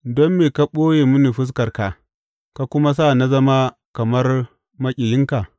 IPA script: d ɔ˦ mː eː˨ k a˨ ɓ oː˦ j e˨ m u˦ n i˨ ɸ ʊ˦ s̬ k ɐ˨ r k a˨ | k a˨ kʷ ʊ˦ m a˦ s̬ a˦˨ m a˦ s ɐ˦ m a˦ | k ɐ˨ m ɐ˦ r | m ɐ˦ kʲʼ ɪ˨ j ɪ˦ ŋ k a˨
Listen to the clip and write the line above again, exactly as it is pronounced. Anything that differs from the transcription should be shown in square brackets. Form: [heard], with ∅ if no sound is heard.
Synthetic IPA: d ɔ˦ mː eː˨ k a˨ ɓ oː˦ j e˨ m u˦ n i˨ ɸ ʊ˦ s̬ k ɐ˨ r k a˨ | k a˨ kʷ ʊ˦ m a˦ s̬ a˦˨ [n] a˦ [z] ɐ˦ m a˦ | k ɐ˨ m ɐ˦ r | m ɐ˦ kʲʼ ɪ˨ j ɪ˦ ŋ k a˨